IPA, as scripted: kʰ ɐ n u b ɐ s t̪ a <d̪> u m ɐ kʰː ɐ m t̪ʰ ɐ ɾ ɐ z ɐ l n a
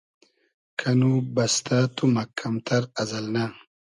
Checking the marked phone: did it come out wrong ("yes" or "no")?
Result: yes